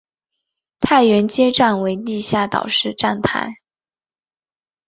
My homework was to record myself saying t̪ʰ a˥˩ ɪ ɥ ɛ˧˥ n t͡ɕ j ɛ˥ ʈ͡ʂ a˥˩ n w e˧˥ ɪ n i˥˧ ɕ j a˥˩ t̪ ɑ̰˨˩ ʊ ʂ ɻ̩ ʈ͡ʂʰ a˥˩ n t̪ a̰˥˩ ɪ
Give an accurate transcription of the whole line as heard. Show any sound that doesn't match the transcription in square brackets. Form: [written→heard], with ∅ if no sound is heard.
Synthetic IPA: t̪ʰ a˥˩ ɪ ɥ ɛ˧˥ n t͡ɕ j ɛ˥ ʈ͡ʂ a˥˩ n w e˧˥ ɪ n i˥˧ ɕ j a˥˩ t̪ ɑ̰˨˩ ʊ ʂ ɻ̩ [ʈ͡ʂʰ→ʈ͡ʂ] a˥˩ n [t̪→t̪ʰ] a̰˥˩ ɪ